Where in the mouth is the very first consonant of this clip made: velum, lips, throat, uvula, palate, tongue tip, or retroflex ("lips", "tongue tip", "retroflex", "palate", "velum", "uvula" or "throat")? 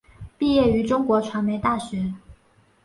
lips